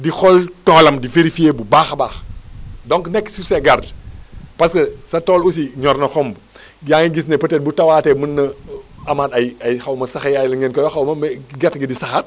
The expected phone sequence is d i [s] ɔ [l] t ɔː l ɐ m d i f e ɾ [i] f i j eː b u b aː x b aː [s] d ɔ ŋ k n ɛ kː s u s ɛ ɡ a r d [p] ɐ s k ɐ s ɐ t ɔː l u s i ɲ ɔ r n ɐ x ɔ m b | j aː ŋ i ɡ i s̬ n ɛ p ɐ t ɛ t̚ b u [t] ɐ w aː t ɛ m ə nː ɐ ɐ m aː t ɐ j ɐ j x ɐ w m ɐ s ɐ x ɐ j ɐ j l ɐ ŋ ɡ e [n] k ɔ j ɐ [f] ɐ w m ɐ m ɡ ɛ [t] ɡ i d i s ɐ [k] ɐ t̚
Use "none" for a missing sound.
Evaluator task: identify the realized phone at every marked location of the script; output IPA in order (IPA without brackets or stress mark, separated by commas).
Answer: x, l, i, x, p, t, n, x, t, x